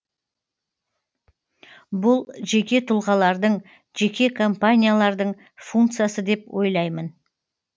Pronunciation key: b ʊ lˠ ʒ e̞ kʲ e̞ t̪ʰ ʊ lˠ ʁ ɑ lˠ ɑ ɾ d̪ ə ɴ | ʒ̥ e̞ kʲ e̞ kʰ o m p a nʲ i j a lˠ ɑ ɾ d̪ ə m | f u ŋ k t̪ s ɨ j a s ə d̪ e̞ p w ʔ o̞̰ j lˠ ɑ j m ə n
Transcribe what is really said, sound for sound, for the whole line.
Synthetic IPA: b ʊ lˠ ʒ e̞ kʲ e̞ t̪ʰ ʊ lˠ ʁ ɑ lˠ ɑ ɾ d̪ ə ɴ | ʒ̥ e̞ kʲ e̞ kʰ o m p a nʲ i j a lˠ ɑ ɾ d̪ ə ɴ | f u ŋ k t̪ s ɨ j a s ə d̪ e̞ p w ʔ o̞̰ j lˠ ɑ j m ə n